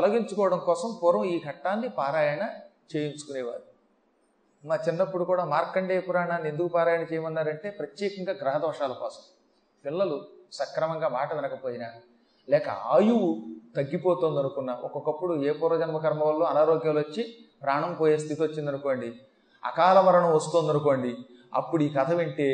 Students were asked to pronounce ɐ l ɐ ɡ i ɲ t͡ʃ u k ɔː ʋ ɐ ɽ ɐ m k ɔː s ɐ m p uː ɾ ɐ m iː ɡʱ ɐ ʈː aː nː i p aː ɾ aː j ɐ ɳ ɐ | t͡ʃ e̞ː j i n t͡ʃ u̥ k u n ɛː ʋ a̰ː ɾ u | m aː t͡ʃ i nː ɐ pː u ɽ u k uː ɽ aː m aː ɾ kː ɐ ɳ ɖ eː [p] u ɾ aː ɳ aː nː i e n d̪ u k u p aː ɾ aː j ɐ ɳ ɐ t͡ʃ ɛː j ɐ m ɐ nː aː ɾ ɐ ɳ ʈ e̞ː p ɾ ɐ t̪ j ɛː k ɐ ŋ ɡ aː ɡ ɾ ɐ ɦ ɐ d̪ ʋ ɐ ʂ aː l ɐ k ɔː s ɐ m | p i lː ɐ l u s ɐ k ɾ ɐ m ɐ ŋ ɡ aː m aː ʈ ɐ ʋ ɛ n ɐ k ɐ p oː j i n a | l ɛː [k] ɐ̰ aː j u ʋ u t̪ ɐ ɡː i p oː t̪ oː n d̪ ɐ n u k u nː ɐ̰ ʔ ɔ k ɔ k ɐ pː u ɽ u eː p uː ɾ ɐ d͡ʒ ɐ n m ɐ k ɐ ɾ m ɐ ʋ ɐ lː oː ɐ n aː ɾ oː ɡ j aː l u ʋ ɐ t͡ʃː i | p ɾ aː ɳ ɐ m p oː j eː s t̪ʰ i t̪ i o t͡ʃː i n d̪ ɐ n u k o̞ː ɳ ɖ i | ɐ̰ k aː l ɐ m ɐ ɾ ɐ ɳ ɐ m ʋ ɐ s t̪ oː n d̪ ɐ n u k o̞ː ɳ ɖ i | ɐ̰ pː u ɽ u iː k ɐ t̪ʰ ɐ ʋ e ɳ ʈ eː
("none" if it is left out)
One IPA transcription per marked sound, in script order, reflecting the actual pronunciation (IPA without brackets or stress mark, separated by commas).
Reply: p, k